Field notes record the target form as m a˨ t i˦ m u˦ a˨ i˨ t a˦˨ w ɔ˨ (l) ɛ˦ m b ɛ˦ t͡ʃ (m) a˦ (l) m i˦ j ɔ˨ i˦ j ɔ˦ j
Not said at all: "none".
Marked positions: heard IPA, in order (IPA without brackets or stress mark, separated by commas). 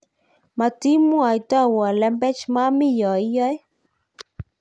l, m, none